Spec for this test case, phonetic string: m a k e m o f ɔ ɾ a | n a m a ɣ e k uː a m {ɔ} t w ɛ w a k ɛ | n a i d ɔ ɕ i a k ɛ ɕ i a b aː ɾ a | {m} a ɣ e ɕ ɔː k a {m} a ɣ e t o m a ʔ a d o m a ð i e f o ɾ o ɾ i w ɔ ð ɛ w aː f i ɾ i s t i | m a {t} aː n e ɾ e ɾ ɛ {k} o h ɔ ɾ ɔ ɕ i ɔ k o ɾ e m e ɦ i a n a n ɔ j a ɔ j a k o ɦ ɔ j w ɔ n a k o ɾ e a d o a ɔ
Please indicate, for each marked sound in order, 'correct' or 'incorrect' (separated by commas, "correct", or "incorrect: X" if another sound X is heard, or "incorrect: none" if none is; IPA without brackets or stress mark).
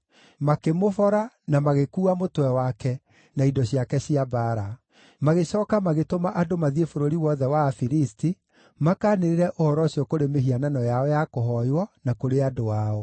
incorrect: o, correct, correct, incorrect: k, incorrect: ʔ